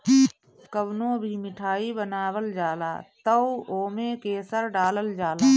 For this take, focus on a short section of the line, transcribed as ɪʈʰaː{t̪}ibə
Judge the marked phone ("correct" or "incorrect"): incorrect